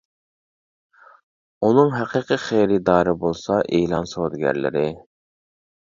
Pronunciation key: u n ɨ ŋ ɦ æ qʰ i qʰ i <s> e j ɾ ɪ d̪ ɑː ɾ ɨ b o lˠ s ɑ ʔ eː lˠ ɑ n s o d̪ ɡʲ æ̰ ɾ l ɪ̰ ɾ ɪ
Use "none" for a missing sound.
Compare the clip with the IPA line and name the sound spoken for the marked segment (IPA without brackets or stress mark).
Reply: χ